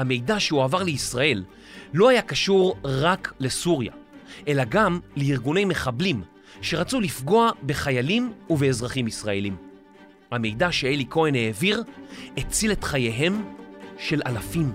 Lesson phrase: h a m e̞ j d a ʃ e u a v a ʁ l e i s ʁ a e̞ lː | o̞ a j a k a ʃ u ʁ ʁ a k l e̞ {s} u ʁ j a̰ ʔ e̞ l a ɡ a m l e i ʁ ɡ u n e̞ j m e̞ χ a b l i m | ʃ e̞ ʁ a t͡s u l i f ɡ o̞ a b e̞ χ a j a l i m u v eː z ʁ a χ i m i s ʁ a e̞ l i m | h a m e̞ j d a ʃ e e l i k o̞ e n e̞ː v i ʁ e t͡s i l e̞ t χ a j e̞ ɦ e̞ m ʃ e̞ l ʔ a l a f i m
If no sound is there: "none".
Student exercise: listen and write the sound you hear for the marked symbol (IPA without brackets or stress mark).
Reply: s